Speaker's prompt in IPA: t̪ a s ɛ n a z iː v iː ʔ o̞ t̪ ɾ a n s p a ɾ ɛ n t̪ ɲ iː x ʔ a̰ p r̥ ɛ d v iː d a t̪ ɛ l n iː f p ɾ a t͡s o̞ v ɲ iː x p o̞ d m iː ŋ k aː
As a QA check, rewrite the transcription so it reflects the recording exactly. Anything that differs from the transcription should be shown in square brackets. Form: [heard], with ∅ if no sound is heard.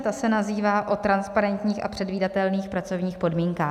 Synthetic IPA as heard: t̪ a s ɛ n a z iː v [aː] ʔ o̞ t̪ ɾ a n s p a ɾ ɛ n t̪ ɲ iː x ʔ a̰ p r̥ ɛ d v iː d a t̪ ɛ l n iː [x] p ɾ a t͡s o̞ v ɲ iː x p o̞ d m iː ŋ k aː